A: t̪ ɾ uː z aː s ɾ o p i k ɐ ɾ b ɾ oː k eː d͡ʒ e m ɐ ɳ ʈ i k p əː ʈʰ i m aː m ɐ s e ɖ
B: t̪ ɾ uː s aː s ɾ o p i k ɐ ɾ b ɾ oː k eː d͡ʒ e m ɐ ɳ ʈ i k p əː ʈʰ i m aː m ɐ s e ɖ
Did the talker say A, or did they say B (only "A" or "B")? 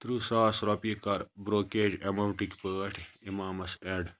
B